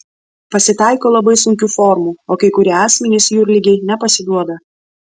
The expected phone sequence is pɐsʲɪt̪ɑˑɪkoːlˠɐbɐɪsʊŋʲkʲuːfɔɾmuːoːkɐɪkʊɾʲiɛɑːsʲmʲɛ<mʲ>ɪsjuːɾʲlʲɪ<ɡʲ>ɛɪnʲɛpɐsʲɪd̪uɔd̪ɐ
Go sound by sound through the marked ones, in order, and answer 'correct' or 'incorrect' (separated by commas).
incorrect, correct